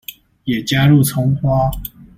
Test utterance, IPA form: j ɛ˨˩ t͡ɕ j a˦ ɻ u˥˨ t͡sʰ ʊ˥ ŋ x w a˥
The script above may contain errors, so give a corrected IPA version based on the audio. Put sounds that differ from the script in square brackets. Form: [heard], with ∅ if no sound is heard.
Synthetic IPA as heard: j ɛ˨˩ t͡ɕ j a˦ ɻ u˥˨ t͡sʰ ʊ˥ ŋ x w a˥